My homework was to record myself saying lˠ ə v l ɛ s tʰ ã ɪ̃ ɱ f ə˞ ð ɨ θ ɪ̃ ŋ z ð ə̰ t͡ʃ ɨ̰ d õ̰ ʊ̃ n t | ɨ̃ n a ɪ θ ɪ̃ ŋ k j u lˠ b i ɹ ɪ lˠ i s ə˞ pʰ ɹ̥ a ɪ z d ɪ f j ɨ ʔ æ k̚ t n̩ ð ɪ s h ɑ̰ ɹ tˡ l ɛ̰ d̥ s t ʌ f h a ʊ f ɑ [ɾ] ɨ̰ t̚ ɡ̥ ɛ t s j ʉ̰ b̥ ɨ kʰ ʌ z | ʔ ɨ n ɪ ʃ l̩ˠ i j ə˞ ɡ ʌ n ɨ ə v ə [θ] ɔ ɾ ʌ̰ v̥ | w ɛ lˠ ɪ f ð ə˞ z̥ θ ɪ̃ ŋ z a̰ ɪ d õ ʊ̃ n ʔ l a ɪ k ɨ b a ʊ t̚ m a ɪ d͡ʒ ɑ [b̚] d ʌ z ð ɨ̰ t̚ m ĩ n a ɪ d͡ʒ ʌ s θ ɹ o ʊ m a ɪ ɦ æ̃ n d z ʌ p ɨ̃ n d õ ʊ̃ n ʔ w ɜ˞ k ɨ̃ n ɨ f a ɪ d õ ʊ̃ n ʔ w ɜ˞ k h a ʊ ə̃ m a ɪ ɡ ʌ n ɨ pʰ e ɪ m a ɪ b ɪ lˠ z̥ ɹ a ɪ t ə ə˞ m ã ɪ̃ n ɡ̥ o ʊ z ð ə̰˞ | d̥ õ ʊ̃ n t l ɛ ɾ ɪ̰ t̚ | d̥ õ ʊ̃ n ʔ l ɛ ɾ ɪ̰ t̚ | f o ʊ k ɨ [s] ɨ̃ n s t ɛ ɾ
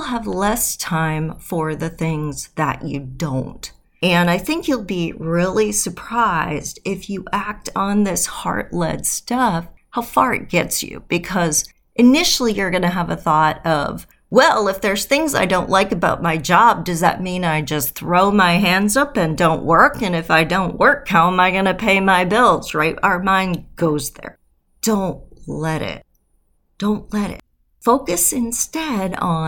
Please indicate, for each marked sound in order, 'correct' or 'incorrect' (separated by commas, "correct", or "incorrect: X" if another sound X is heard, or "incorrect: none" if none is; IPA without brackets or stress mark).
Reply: incorrect: ɹ, correct, correct, correct